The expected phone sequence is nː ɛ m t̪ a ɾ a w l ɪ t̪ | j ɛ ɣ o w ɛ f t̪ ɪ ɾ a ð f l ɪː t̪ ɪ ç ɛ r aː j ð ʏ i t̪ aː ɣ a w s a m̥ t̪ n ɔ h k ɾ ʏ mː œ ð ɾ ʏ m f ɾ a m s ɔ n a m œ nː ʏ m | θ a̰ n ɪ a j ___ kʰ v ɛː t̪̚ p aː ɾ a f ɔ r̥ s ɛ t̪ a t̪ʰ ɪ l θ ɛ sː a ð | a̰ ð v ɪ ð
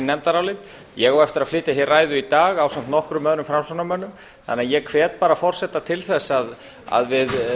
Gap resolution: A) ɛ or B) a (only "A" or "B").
A